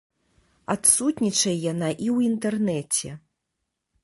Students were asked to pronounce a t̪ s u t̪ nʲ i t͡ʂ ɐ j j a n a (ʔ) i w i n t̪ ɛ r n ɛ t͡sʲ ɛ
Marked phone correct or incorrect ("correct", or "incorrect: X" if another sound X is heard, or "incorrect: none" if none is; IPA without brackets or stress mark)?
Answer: correct